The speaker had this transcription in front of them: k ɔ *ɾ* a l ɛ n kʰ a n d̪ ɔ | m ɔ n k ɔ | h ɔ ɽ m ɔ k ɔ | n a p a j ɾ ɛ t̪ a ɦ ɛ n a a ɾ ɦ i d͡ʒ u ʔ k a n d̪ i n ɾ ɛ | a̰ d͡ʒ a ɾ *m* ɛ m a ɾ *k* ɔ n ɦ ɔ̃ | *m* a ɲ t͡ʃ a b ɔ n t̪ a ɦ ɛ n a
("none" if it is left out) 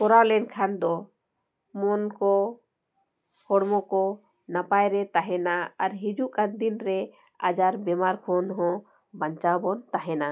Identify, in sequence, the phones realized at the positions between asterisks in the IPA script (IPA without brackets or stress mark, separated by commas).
ɾ, b, kʰ, b